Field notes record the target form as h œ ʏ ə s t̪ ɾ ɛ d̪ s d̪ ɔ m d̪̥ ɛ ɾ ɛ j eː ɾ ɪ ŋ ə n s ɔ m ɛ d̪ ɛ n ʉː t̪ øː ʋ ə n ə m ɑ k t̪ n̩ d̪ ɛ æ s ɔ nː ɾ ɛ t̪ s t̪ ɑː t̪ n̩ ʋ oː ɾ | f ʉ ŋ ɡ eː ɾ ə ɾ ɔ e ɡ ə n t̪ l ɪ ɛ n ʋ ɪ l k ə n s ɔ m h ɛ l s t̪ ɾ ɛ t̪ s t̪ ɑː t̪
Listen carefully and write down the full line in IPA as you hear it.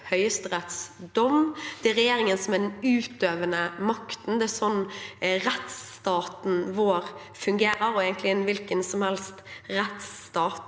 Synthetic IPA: h œ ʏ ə s t̪ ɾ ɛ t̪ s d̪ ɔ m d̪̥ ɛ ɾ ɛ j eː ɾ ɪ ŋ ə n s ɔ m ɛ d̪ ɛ n ʉː t̪ øː ʋ ə n ə m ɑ k t̪ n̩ d̪ ɛ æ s ɔ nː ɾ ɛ t̪ s t̪ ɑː t̪ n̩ ʋ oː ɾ | f ʉ ŋ ɡ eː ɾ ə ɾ ɔ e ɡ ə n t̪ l ɪ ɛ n ʋ ɪ l k ə n s ɔ m h ɛ l s t̪ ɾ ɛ t̪ s t̪ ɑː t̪